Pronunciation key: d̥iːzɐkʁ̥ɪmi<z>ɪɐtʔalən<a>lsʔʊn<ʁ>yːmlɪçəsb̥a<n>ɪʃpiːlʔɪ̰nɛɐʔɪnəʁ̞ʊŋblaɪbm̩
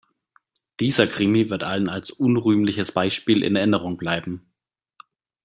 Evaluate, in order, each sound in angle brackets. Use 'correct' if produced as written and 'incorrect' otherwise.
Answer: incorrect: v, correct, correct, incorrect: none

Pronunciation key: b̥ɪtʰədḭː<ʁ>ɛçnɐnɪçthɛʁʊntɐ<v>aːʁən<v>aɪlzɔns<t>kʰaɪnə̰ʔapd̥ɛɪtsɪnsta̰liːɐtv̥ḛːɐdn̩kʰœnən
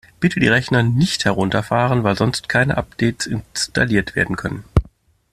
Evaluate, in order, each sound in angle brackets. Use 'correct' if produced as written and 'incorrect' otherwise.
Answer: correct, incorrect: f, correct, correct

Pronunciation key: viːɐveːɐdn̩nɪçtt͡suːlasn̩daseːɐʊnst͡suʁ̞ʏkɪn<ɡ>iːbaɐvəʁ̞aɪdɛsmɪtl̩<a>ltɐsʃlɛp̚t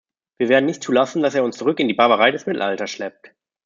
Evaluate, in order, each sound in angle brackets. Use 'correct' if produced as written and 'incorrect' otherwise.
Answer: incorrect: d, correct

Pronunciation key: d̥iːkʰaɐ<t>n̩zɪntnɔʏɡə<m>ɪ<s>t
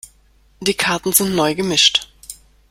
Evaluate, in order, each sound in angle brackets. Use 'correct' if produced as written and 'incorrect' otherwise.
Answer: correct, correct, incorrect: ʃ

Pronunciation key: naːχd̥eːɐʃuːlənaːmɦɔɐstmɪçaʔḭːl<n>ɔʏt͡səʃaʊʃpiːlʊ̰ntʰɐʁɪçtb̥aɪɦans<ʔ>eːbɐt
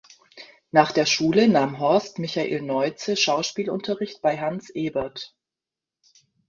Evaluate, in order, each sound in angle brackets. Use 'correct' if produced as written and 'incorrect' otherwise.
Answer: correct, correct

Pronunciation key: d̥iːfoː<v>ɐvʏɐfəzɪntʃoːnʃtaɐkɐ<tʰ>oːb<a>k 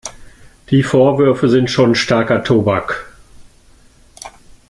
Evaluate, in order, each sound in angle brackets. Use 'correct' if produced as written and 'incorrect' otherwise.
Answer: incorrect: none, correct, correct

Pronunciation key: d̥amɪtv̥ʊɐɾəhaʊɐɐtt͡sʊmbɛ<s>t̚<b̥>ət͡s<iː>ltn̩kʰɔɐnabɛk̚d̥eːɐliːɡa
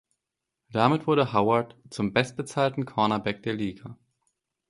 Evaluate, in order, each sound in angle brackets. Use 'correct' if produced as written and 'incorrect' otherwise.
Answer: correct, correct, incorrect: aː

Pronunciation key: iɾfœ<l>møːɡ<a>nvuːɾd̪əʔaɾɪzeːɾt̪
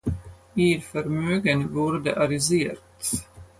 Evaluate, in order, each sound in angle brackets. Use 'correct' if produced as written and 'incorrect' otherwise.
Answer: incorrect: ɾ, incorrect: ə

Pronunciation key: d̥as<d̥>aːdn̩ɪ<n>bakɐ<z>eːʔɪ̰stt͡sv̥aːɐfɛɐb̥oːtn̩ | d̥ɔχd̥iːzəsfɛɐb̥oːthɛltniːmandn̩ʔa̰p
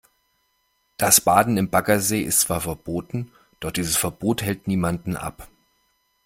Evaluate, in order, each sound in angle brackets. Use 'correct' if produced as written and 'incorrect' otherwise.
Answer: incorrect: b̥, incorrect: m, correct

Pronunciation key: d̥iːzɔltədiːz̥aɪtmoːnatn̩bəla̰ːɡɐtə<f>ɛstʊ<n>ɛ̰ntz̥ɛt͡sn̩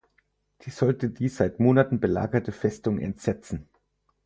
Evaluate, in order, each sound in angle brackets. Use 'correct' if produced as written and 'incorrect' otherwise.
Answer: correct, incorrect: ŋ

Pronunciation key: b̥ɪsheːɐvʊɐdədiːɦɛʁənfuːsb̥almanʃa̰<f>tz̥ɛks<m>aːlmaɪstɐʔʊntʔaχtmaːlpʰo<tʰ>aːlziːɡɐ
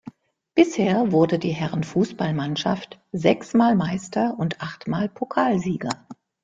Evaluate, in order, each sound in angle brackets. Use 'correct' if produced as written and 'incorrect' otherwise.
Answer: correct, correct, incorrect: kʰ

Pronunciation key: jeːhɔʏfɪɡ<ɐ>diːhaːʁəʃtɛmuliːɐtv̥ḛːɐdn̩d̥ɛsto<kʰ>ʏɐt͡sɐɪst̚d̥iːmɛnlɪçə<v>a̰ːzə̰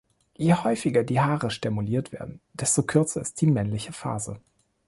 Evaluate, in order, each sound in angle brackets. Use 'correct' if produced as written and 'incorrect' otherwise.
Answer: correct, correct, incorrect: f

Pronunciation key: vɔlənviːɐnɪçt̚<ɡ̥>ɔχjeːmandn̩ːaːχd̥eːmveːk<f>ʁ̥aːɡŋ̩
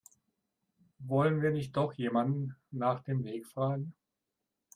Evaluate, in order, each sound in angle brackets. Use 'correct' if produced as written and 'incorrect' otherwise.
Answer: incorrect: d̥, correct

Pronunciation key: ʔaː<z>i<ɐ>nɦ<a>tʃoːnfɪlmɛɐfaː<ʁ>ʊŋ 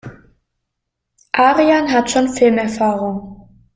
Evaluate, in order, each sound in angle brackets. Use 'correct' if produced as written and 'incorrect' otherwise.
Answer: incorrect: ʁ, incorrect: a, correct, correct

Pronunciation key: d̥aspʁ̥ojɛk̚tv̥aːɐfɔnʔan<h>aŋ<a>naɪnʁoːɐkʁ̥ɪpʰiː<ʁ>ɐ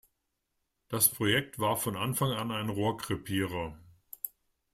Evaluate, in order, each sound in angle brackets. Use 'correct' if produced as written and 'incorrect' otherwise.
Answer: incorrect: f, correct, correct

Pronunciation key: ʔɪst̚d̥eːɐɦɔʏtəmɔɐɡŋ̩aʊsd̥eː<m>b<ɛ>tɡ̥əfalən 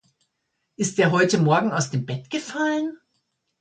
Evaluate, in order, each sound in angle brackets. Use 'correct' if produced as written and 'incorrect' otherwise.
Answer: correct, correct

